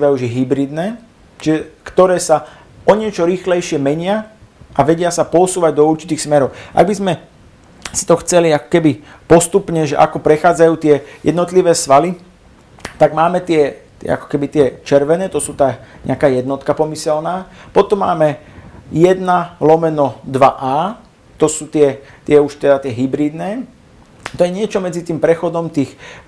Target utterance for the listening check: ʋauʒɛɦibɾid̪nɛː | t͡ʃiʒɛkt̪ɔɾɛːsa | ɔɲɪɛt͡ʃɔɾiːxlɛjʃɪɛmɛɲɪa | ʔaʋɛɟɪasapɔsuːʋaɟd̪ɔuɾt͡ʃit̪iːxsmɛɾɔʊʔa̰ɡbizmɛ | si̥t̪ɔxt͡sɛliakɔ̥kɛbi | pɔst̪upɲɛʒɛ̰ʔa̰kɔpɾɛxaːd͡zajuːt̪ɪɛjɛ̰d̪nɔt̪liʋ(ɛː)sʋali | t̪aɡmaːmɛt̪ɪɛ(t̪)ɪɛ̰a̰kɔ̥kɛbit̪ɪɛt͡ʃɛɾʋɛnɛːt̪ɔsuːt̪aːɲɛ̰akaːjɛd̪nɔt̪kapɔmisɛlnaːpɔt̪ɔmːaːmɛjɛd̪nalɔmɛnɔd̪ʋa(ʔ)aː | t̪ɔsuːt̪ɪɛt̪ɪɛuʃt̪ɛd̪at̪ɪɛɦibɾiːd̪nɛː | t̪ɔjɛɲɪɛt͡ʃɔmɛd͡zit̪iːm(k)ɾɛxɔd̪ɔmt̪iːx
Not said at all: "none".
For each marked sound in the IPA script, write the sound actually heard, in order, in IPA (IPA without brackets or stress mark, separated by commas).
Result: ɛː, t̪, ʔ, p